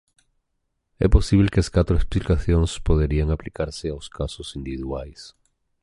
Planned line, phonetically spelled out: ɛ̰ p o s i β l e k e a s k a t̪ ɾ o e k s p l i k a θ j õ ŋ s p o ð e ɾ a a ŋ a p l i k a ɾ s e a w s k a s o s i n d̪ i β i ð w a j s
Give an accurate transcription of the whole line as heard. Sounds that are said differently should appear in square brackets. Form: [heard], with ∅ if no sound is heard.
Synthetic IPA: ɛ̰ p o s i β l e k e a s k a t̪ ɾ o e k s p l i k a θ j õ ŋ s p o ð e ɾ [i] a ŋ a p l i k a ɾ s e a w s k a s o s i n d̪ i β i ð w a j s

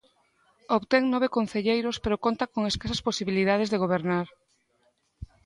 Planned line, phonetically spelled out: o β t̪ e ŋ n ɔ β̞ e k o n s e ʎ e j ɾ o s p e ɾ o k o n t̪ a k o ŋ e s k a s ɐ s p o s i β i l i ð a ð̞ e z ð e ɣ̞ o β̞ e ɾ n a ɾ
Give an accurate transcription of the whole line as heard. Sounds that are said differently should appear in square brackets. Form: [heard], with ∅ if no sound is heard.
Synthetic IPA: o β t̪ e ŋ n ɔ β̞ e k o n [θ] e ʎ e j ɾ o s p e ɾ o k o n t̪ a k o ŋ e s k a s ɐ s p o s i β i l i ð a ð̞ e z ð e ɣ̞ o β̞ e ɾ n a ɾ

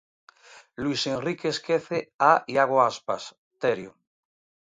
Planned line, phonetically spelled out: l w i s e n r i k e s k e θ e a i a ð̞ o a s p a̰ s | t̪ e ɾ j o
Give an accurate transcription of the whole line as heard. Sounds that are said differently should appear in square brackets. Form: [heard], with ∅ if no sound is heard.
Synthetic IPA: l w i s e n r i k e s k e θ e a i a [ɣ̞] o a s p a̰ s | t̪ e ɾ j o

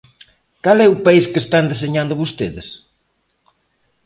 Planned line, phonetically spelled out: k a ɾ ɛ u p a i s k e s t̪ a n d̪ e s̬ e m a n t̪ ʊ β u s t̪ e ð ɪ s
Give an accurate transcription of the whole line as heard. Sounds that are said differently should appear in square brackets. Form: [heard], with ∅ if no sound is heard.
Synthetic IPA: k a [l] ɛ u p a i s k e s t̪ a n d̪ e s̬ e [ɲ] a n [d̪] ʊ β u s t̪ e ð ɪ s

